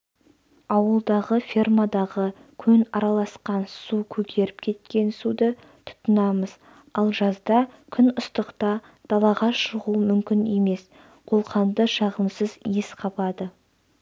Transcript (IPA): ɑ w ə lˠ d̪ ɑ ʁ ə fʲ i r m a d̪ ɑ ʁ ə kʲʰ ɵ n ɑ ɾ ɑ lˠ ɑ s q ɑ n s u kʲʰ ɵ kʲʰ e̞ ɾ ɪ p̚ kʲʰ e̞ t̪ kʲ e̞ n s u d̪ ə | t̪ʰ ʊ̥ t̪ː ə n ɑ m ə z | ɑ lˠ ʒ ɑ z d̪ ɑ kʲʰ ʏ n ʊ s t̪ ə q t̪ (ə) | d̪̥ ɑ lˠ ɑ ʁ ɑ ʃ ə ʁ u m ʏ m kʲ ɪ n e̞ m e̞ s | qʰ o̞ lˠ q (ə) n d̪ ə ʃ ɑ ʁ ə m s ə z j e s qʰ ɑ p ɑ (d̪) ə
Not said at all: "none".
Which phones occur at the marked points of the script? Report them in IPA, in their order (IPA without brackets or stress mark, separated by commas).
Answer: ɑ, ɑ, d̪